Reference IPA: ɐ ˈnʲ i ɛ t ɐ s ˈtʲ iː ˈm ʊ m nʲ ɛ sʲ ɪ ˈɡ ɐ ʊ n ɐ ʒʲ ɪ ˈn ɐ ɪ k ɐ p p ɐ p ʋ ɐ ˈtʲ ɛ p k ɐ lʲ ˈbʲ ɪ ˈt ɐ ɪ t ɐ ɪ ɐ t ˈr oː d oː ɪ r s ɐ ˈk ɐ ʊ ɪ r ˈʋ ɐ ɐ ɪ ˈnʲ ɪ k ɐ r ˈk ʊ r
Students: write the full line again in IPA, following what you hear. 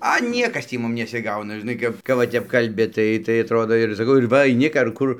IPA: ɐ ˈnʲ i ɛ k ɐ s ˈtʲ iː ˈm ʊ m nʲ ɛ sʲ ɪ ˈɡ ɐ ʊ n ɐ ʒʲ ɪ ˈn ɐ ɪ k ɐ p k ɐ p ʋ ɐ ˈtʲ ɛ p k ɐ lʲ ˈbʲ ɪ ˈt ɐ ɪ t ɐ ɪ ɐ t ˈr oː d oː ɪ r s ɐ ˈk ɐ ʊ ɪ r ˈʋ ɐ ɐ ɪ ˈnʲ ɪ k ɐ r ˈk ʊ r